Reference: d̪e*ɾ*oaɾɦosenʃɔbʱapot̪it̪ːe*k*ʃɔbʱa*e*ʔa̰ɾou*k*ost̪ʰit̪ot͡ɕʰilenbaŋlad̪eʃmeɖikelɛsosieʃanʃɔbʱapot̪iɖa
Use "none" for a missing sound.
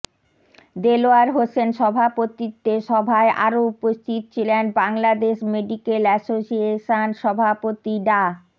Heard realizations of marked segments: l, none, e, p

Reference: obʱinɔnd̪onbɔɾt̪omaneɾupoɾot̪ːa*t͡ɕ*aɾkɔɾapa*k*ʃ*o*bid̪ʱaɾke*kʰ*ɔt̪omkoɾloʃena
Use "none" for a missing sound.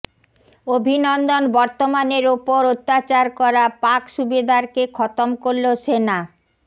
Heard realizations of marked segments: t͡ɕ, k, u, kʰ

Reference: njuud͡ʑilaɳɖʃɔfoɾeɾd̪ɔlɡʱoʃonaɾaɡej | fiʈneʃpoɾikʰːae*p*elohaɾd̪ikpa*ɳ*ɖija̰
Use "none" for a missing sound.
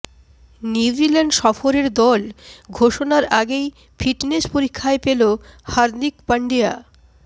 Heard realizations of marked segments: p, ɳ

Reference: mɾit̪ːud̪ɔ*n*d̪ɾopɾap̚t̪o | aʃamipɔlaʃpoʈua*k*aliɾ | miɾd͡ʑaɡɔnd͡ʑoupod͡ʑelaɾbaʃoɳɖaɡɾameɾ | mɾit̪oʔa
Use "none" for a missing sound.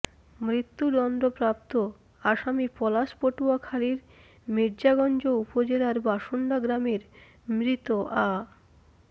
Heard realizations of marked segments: n, kʰ

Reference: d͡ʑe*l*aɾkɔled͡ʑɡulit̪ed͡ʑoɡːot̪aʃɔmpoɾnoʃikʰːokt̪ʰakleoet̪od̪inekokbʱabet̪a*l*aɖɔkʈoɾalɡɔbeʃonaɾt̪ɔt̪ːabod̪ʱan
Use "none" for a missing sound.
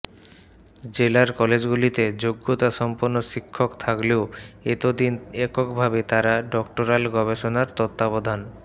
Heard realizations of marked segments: l, ɾ

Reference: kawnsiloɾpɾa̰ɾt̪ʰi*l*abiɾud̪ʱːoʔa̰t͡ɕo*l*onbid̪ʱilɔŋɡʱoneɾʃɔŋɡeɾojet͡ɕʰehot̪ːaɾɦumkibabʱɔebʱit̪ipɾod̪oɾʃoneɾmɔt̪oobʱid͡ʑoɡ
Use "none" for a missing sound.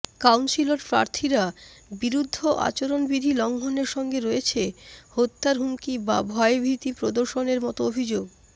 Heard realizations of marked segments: ɾ, ɾ

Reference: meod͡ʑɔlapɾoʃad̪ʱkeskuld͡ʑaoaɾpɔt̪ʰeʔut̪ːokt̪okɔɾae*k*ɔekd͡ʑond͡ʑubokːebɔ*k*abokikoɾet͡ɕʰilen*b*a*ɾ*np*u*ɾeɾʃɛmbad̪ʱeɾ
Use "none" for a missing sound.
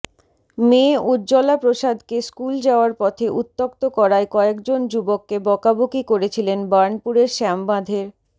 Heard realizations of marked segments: k, k, b, ɾ, u

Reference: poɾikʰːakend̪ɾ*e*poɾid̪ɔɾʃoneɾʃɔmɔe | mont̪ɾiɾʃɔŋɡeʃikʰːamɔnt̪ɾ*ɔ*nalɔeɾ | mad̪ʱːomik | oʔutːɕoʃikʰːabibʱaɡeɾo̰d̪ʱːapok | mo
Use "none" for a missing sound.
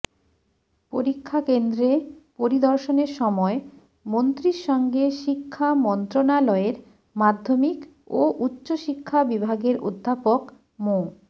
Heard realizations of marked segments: e, o

